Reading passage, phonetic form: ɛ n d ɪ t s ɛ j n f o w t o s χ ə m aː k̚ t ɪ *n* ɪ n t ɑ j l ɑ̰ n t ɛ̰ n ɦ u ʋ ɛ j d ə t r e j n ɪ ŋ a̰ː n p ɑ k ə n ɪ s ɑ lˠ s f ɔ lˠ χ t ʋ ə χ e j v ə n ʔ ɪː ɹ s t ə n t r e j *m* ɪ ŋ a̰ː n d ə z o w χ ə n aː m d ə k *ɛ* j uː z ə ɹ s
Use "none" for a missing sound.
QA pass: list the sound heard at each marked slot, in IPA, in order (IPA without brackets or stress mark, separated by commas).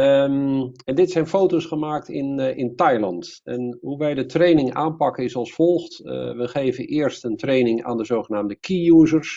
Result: n, n, i